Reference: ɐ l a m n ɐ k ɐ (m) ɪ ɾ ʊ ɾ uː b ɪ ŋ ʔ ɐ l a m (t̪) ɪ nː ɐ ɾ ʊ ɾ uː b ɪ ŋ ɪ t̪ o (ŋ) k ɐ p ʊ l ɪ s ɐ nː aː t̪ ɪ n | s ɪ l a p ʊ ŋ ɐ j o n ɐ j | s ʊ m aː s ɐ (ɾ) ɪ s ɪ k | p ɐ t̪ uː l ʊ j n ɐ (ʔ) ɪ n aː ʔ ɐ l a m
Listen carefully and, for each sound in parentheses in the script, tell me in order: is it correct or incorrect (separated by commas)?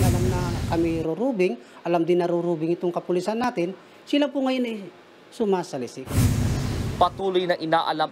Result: correct, incorrect, correct, incorrect, correct